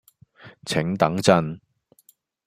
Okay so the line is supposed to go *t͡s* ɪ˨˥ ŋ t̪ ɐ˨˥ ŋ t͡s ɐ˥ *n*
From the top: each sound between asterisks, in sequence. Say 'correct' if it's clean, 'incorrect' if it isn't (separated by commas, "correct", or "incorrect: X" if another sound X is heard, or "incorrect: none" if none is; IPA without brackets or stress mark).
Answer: incorrect: t͡sʰ, correct